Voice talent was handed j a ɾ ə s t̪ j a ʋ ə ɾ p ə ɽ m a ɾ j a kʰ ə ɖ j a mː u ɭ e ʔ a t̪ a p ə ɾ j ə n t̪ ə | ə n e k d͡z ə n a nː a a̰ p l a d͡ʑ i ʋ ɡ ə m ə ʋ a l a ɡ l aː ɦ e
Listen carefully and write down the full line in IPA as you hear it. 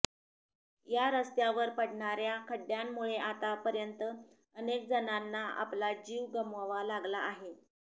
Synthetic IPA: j a ɾ ə s t̪ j a ʋ ə ɾ p ə ɽ ɳ a ɾ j a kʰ ə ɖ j a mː u ɭ e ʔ a t̪ a p ə ɾ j ə n t̪ ə | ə n e k d͡z ə n a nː a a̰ p l a d͡ʑ i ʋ ɡ ə m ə ʋ a l a ɡ l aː ɦ e